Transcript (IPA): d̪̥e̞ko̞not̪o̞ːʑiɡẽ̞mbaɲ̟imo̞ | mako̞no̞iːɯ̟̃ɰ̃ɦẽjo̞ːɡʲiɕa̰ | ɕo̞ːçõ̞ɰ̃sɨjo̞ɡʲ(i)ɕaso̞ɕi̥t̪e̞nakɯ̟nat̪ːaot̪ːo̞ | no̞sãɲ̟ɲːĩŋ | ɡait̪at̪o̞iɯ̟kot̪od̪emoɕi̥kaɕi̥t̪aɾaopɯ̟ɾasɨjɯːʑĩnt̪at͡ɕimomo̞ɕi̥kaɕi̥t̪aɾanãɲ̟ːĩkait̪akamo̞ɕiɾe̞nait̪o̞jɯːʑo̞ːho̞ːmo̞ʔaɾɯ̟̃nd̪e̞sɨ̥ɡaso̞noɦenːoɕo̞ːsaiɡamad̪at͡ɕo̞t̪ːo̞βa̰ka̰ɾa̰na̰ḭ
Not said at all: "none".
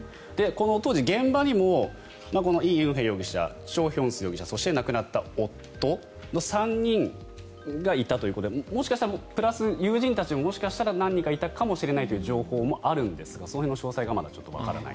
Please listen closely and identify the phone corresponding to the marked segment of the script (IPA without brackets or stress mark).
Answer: i